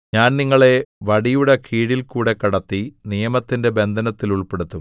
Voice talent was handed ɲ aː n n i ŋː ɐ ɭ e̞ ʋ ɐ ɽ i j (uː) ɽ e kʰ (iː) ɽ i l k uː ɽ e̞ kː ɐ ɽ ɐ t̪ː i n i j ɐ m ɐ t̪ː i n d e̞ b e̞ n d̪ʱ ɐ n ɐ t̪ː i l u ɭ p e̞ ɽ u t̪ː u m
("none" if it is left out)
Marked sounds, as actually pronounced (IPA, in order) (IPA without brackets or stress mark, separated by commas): u, iː